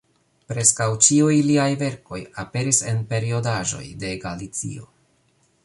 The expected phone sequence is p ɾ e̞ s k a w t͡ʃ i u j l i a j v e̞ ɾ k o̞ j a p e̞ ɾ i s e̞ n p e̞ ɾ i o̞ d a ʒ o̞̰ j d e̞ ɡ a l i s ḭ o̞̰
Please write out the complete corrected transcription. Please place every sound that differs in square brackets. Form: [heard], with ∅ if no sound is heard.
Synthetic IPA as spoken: p ɾ e̞ s k a w t͡ʃ i u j l i a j v e̞ ɾ k o̞ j a p e̞ ɾ i s e̞ n p e̞ ɾ i o̞ d a ʒ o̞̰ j d e̞ ɡ a l i [t͡s] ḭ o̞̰